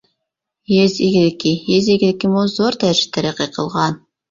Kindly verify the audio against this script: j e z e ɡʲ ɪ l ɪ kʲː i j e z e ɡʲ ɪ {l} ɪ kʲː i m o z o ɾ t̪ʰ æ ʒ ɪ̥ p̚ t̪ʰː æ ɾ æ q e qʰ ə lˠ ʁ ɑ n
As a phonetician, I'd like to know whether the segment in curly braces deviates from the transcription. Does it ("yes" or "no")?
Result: no